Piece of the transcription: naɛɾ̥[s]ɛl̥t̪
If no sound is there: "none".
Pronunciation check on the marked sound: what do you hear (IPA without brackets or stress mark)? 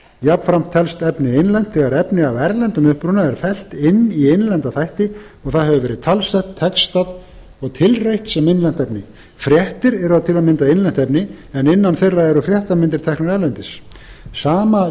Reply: f